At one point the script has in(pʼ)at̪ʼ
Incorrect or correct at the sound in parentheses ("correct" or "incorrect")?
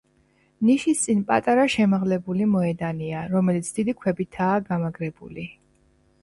correct